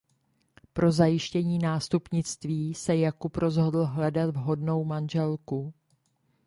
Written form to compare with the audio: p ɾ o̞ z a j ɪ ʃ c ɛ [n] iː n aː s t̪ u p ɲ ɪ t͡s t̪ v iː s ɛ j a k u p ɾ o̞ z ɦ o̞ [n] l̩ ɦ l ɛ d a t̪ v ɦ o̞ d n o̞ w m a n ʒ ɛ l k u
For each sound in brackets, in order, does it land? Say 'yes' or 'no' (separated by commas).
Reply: no, no